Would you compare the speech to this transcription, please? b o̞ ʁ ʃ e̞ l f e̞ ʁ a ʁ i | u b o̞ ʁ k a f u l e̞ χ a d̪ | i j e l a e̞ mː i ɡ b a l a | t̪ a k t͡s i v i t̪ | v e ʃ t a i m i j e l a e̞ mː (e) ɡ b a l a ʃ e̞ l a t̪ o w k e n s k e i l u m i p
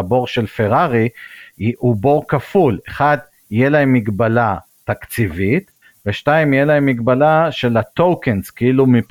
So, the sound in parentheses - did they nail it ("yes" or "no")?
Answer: no